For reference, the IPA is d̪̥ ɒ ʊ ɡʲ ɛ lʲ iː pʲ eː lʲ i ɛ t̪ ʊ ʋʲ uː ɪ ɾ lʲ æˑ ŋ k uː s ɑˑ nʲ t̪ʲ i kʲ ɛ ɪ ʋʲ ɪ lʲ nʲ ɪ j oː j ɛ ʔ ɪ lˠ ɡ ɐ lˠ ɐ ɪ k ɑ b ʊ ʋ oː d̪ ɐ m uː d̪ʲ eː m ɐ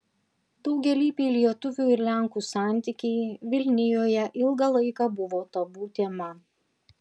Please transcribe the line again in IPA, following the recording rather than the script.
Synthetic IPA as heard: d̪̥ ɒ ʊ ɡʲ ɛ lʲ iː pʲ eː lʲ i ɛ t̪ ʊ ʋʲ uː ɪ ɾ lʲ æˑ ŋ k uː s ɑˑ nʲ t̪ʲ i kʲ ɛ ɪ ʋʲ ɪ lʲ nʲ ɪ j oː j ɛ ʔ ɪ lˠ ɡ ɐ lˠ ɐ ɪ k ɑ b ʊ ʋ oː t̪ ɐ b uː t̪ʲ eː m ɐ

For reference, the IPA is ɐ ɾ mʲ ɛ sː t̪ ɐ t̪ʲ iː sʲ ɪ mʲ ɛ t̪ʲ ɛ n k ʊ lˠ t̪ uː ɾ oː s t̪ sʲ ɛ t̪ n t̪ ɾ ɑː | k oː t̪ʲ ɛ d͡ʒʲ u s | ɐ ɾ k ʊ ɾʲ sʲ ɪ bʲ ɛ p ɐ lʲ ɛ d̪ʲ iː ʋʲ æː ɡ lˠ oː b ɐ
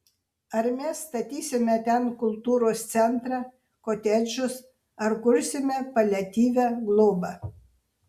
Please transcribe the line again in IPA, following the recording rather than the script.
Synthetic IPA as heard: ɐ ɾ mʲ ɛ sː t̪ ɐ t̪ʲ iː sʲ ɪ mʲ ɛ t̪ʲ ɛ n k ʊ lˠ t̪ uː ɾ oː s t̪ sʲ ɛ n t̪ ɾ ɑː | k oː t̪ʲ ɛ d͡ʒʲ ʊ s | ɐ ɾ k ʊ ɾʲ sʲ ɪ mʲ ɛ p ɐ lʲ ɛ t̪ʲ iː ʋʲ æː ɡ lˠ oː b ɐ

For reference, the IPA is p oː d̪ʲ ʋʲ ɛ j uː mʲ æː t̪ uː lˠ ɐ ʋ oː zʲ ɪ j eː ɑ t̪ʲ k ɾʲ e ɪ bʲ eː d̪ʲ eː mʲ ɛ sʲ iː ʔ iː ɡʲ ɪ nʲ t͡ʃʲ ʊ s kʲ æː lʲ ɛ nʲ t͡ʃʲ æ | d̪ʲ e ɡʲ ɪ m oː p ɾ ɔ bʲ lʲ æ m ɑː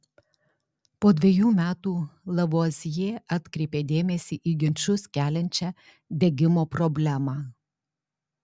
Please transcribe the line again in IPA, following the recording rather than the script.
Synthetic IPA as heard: p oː d̪ʲ ʋʲ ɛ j uː mʲ æː t̪ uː lˠ ɐ ʋ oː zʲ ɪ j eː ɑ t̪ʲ k ɾʲ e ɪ pʲ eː d̪ʲ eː mʲ ɛ sʲ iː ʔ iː ɡʲ ɪ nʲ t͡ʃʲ ʊ s kʲ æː lʲ ɛ nʲ t͡ʃʲ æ | d̪ʲ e ɡʲ ɪ m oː p ɾ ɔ bʲ lʲ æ m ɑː

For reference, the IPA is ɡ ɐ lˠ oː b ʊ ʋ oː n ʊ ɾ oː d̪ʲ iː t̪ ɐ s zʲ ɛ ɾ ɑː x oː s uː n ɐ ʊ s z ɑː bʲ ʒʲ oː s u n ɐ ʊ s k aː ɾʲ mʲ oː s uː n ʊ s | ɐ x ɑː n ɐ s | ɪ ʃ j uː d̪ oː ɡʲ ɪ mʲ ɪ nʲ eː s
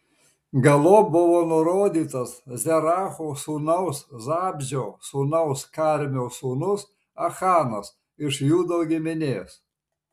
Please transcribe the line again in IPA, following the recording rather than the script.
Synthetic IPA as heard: ɡ ɐ lˠ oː b ʊ ʋ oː n ʊ ɾ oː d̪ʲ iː t̪ ɐ s zʲ ɛ ɾ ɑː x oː s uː n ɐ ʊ s z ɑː bʲ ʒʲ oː s u n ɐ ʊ s k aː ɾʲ mʲ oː s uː n ʊ s | ɐ x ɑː n ɐ s | ɪ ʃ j uː d̪ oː ɡʲ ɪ mʲ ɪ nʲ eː s

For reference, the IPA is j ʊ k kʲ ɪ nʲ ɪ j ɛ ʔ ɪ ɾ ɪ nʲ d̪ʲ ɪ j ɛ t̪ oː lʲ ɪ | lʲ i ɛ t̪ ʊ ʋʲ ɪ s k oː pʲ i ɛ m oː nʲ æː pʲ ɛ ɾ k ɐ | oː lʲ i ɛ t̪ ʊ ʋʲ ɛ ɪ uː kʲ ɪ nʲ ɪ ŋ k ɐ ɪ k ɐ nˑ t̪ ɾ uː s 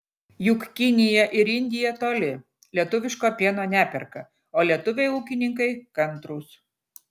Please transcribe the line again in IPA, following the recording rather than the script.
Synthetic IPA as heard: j ʊ k kʲ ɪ nʲ ɪ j ɛ ʔ ɪ ɾ ɪ nʲ d̪ʲ ɪ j ɛ t̪ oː lʲ ɪ | lʲ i ɛ t̪ ʊ ʋʲ ɪ ʃ k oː pʲ i ɛ n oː nʲ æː pʲ ɛ ɾ k ɐ | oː lʲ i ɛ t̪ ʊ ʋʲ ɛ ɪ uː kʲ ɪ nʲ ɪ ŋ k ɐ ɪ k ɐ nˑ t̪ ɾ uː s

